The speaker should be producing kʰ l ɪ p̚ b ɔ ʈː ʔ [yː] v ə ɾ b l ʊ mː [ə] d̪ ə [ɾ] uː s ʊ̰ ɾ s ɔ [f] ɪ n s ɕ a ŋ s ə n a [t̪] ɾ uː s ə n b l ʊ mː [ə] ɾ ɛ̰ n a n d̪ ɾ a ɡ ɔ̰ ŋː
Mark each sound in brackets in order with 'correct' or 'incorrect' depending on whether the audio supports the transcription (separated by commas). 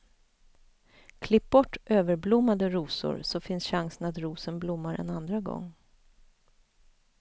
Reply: incorrect, incorrect, correct, correct, correct, incorrect